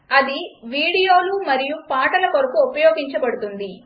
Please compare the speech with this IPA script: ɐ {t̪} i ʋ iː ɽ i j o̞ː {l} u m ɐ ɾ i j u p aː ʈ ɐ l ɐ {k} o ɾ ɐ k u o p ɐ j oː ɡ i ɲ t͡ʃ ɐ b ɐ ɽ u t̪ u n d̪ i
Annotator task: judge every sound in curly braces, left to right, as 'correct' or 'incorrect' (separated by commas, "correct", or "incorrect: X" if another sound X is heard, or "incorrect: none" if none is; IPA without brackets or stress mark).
incorrect: d̪, correct, correct